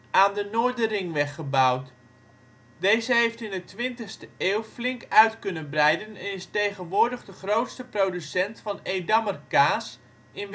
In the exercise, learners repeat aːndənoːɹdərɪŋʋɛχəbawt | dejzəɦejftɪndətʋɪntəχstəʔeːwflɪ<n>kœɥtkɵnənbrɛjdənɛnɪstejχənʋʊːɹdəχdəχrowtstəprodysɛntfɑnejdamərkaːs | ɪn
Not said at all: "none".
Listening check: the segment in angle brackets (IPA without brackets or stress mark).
ŋ